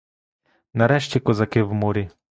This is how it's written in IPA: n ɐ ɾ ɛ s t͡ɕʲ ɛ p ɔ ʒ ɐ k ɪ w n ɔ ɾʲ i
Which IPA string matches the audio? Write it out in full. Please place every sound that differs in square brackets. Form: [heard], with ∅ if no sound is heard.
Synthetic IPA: n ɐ ɾ ɛ [ʃ] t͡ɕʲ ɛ [k] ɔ [z] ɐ k ɪ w [m] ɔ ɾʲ i